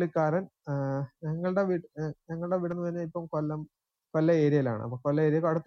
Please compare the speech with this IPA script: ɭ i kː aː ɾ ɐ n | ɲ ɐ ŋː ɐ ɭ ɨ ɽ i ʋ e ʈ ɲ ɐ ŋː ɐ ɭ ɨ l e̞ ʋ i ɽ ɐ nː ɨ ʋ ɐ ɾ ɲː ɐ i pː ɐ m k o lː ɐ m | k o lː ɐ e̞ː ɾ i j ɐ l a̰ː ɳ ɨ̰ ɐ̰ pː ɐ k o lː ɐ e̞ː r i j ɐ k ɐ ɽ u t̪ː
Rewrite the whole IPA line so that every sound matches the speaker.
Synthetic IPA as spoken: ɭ i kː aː ɾ ɐ n | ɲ ɐ ŋː ɐ ɭ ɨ ɽ e ʋ i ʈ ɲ ɐ ŋː ɐ ɭ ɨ ɽ e̞ ʋ i ɽ ɐ nː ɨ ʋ ɐ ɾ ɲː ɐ i pː ɐ m k o lː ɐ m | k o lː ɐ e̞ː ɾ i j ɐ l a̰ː ɳ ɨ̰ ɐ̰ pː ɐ k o lː ɐ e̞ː ɾ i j ɐ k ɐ ɽ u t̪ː